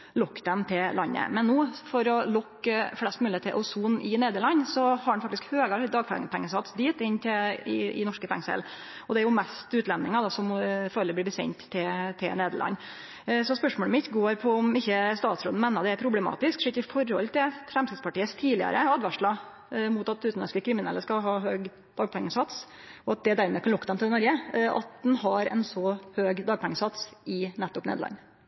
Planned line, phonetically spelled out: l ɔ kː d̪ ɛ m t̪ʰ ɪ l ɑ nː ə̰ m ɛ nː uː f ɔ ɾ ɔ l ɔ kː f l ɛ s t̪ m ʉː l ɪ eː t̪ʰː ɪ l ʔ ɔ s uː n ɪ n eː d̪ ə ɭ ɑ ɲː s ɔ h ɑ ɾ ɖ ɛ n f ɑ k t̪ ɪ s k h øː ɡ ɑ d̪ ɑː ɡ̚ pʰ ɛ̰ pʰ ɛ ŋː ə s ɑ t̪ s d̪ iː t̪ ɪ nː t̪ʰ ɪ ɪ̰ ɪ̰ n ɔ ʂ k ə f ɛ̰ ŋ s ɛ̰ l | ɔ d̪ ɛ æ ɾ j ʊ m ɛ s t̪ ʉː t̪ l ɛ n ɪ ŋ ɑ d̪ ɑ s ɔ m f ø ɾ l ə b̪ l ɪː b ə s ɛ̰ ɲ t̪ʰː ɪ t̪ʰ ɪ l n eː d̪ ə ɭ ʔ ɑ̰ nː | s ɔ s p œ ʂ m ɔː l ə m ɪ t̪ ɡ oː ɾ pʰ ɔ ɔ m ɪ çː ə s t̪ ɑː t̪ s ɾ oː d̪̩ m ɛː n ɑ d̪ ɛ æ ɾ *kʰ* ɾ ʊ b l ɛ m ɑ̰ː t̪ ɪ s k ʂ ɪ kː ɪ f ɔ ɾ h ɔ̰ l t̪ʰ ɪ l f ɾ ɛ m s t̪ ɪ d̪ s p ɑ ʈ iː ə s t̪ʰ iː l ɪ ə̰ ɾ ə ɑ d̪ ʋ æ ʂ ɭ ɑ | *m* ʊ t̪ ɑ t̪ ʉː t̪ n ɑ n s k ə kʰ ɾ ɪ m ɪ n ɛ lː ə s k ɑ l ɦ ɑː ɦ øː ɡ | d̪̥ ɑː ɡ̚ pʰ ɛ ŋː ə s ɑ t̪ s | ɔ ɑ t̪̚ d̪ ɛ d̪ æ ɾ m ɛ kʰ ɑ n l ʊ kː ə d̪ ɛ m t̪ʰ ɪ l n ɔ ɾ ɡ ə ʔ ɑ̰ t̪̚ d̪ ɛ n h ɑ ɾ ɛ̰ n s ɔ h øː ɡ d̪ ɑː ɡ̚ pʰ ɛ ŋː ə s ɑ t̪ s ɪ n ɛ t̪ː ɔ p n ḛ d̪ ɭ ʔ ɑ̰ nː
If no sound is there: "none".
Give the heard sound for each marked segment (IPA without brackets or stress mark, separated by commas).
pʰ, m